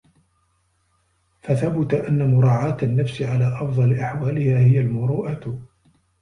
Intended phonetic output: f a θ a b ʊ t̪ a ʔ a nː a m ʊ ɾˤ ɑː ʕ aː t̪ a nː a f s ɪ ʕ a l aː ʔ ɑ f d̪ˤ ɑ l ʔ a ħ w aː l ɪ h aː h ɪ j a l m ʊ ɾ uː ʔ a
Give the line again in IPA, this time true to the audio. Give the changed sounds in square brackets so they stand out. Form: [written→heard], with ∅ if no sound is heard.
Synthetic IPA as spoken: f a θ a b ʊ t̪ a ʔ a nː a m ʊ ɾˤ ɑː ʕ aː t̪ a nː a f s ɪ ʕ a l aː ʔ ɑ f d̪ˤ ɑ l ʔ a ħ w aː l ɪ h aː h ɪ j a l m ʊ ɾ uː ʔ a